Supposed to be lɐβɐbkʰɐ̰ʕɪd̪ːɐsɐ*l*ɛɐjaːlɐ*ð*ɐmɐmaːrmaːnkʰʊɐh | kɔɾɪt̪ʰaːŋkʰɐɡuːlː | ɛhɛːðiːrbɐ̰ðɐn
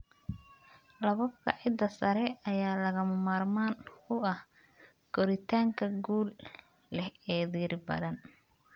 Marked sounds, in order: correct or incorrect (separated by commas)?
incorrect, incorrect